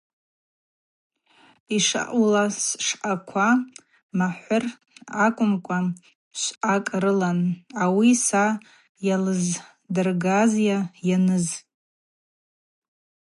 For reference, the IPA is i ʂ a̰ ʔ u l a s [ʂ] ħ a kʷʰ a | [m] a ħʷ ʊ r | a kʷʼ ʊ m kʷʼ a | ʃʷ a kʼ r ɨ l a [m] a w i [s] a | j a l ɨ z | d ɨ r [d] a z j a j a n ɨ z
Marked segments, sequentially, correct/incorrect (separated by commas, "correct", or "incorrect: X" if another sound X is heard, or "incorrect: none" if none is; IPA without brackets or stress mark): correct, correct, incorrect: n, correct, incorrect: ɡ